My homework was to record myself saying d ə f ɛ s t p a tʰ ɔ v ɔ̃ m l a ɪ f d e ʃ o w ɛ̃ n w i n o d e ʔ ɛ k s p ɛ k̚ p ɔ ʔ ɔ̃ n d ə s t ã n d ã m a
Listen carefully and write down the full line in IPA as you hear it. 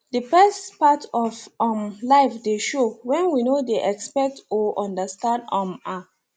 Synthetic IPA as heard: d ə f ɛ s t p a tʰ ɔ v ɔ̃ m l a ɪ f d e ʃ o w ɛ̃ n w i n o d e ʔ ɛ k s p ɛ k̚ t ɔ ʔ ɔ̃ n d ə s t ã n d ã m a

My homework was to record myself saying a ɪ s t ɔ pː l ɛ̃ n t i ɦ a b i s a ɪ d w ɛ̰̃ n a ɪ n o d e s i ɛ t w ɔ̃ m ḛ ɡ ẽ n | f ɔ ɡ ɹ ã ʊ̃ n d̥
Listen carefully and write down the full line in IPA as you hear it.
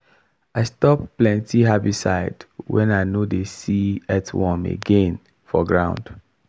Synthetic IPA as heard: a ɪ s t ɔ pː l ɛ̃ n t i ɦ a b i s a ɪ d w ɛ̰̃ n a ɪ n o d e s i ɛ t w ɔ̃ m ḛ ɡ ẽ n | f ɔ ɡ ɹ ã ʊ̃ n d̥

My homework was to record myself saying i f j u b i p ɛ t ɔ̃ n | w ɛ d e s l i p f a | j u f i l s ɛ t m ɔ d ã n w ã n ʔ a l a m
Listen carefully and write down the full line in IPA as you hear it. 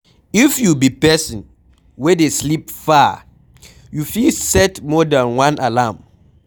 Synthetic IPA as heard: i f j u b i p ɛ s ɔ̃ n | w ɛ d e s l i p f a | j u f i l s ɛ t m ɔ d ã n w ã n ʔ a l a m

